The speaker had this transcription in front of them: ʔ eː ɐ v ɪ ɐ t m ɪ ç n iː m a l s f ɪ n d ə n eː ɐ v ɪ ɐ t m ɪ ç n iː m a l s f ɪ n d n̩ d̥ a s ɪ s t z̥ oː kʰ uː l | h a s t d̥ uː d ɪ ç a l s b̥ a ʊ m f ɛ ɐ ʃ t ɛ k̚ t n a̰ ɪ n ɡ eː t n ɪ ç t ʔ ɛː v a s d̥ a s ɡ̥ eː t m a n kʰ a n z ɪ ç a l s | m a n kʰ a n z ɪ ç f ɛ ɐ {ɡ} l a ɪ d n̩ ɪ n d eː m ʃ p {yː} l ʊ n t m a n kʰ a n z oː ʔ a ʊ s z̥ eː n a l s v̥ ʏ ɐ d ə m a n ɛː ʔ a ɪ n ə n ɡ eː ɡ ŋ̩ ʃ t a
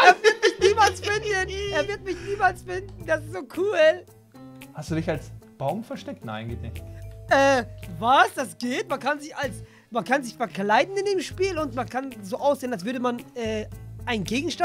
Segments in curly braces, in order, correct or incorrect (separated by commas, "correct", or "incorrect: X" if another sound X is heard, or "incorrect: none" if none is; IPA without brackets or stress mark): incorrect: k, incorrect: iː